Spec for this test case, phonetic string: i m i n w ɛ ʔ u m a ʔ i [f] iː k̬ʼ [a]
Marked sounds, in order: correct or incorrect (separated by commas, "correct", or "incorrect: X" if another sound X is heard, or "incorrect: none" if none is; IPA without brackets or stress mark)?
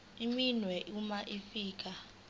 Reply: correct, correct